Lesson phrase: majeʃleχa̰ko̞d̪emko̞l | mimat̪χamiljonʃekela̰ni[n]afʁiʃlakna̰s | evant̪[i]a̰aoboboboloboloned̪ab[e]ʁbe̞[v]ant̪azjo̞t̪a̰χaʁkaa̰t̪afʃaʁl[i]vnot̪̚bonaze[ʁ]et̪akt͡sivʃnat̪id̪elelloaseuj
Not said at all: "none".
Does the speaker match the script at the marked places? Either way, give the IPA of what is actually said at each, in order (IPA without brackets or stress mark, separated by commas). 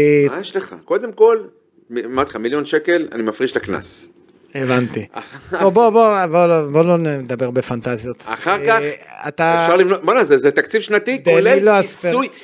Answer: m, i, e, f, i, z